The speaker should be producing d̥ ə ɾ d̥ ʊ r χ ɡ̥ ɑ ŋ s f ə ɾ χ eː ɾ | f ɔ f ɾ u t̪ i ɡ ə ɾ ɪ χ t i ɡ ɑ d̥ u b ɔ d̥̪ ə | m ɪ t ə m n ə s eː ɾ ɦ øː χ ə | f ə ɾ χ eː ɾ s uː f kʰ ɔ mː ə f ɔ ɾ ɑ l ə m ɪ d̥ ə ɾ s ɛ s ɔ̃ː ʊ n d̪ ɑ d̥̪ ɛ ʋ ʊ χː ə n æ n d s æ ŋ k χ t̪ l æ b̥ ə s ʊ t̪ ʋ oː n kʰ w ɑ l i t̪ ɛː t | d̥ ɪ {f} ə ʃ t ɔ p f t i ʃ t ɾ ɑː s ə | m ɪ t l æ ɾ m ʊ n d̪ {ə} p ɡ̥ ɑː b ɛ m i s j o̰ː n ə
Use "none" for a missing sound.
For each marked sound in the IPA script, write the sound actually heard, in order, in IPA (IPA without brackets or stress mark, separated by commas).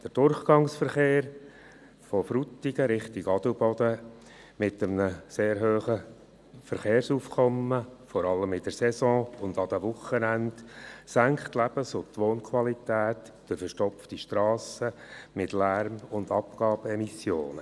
f, ɑ